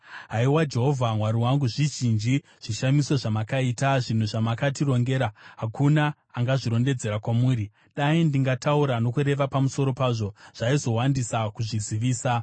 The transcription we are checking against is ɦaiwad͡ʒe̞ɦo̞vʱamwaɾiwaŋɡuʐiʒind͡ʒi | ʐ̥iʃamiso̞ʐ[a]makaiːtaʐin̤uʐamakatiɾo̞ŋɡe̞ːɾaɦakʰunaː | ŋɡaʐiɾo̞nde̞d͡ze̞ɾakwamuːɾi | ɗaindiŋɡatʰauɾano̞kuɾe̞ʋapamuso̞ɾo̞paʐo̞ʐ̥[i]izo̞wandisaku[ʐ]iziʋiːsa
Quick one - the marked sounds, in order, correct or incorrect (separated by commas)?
correct, incorrect, correct